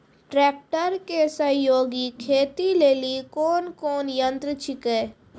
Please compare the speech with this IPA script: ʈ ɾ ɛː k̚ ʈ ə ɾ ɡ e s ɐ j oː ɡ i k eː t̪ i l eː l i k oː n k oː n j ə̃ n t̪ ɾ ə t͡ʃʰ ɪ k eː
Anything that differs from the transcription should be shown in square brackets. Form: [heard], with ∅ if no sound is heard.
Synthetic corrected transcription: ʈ ɾ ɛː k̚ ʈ ə ɾ [k] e s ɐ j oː ɡ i [kʰ] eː t̪ i l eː l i k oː n k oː n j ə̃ n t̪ ɾ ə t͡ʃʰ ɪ k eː